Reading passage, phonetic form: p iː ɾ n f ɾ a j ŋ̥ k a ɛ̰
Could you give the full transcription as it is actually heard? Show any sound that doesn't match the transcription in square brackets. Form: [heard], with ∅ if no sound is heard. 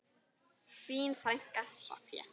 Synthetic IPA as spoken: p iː [∅] n f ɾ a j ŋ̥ k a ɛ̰